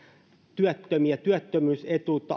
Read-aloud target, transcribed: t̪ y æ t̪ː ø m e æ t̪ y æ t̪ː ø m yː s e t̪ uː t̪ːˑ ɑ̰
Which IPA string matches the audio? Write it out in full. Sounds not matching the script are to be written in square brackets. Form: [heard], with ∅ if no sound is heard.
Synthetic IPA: t̪ y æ t̪ː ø m [i] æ t̪ y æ t̪ː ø m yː s e t̪ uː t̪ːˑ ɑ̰